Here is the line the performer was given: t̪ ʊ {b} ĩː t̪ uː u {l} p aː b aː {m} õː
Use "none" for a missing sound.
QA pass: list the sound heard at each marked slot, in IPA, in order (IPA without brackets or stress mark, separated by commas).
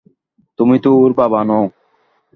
m, ɾ, n